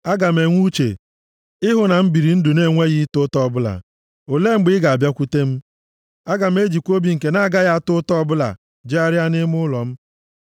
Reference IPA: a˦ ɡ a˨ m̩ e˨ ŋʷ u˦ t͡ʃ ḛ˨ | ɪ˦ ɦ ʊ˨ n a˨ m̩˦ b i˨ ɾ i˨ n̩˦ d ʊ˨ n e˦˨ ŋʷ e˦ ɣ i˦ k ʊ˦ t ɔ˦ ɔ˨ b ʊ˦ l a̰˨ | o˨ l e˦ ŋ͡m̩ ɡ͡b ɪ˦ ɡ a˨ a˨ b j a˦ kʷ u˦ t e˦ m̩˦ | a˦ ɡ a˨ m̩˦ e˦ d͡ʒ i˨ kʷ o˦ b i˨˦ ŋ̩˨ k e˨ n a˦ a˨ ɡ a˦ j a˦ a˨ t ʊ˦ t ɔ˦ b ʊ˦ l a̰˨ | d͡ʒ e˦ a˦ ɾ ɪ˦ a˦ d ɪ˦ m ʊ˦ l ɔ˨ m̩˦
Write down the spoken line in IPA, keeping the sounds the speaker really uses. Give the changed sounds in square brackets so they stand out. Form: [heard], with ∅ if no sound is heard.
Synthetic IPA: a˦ ɡ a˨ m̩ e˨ ŋʷ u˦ t͡ʃ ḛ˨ | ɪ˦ ɦ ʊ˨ n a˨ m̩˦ b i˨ ɾ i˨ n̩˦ d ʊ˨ n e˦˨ ŋʷ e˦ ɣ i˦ [t] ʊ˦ t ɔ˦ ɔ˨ b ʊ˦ l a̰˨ | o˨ l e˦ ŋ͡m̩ ɡ͡b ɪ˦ ɡ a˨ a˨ b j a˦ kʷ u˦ t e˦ m̩˦ | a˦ ɡ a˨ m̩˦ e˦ d͡ʒ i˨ kʷ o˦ b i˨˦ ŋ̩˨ k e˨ n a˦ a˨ ɡ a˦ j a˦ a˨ t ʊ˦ t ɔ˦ b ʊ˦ l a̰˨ | d͡ʒ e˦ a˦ ɾ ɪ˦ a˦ [n] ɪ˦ m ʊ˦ l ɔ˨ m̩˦